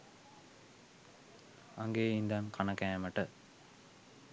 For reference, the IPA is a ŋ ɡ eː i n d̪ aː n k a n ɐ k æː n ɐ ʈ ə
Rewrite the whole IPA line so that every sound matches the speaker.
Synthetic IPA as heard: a ŋ ɡ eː i n d̪ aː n k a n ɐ k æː m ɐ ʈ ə